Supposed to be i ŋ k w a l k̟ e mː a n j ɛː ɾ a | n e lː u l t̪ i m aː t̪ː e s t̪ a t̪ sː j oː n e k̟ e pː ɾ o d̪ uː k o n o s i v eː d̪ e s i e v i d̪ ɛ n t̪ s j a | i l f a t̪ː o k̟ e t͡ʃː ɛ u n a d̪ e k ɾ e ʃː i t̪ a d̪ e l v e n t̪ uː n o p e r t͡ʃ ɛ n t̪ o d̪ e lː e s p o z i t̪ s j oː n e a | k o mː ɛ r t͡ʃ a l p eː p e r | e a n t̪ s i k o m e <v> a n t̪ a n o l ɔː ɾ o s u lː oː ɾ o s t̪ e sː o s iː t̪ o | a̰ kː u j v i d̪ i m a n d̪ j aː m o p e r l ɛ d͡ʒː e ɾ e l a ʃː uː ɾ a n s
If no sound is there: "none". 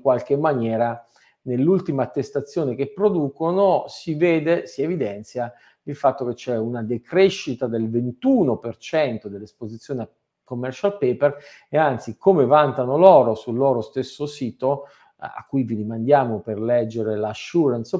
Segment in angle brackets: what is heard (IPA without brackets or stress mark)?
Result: v